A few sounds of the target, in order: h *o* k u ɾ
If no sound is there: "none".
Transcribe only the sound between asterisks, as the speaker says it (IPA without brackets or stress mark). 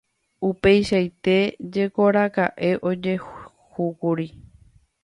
u